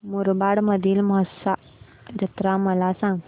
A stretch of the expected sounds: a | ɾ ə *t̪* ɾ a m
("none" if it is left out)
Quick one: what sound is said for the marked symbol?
t̪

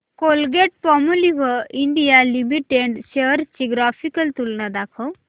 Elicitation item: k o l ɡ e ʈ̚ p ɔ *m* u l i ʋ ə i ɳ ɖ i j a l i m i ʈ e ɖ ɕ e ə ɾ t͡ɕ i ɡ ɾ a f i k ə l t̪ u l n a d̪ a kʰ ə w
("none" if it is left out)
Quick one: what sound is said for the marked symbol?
m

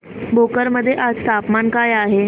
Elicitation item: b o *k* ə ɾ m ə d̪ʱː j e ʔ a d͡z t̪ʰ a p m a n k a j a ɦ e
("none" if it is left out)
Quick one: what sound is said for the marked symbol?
k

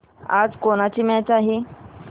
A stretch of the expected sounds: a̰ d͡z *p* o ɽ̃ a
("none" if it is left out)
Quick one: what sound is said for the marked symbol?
k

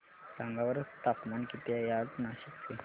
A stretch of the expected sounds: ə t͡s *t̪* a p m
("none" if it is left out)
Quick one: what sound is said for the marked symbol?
t̪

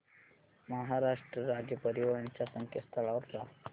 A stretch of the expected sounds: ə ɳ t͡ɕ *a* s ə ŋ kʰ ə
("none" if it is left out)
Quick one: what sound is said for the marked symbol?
a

